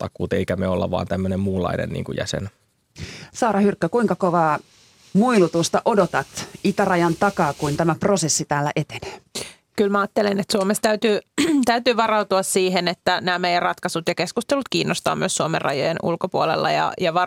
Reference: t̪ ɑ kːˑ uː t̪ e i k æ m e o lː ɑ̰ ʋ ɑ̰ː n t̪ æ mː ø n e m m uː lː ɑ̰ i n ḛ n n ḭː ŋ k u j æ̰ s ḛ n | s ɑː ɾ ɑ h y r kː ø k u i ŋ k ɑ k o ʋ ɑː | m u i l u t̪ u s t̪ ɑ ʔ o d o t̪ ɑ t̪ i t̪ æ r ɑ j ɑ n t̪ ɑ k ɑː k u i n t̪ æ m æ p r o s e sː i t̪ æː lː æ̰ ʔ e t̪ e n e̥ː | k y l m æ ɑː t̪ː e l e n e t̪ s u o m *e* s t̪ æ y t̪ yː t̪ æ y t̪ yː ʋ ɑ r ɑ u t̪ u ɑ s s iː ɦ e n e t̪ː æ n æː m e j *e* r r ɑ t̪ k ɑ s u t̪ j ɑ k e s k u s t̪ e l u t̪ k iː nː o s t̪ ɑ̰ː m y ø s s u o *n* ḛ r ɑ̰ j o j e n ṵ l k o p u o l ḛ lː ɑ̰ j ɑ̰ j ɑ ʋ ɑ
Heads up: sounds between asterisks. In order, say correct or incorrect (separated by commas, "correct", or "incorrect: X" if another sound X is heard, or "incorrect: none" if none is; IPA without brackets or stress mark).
correct, incorrect: æ, incorrect: m